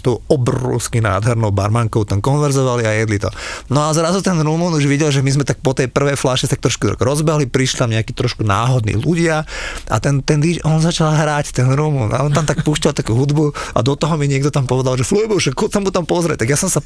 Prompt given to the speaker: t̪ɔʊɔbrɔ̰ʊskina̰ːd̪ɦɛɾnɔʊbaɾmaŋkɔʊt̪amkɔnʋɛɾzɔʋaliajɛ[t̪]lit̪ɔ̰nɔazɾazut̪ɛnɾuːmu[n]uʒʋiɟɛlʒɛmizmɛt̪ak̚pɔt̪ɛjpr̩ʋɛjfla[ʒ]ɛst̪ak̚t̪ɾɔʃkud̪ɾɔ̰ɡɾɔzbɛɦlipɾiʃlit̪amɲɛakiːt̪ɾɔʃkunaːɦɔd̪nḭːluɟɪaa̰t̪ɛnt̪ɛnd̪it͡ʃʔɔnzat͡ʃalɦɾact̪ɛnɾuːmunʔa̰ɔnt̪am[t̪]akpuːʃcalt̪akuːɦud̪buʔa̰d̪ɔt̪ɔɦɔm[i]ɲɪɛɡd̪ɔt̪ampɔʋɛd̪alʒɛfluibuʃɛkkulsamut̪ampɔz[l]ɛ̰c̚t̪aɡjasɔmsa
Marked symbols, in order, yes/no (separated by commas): no, yes, no, yes, yes, no